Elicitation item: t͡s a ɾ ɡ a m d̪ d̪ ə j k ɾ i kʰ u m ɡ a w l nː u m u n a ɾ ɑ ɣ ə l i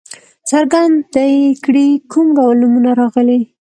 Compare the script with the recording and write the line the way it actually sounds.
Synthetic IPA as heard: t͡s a ɾ ɡ a n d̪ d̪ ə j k ɽ i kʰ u m ɡ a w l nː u m u n a ɾ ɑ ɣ ə l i